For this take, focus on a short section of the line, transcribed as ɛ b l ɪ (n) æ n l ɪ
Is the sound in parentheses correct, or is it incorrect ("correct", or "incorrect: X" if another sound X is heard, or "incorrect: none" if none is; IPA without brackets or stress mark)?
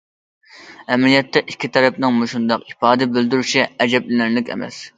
correct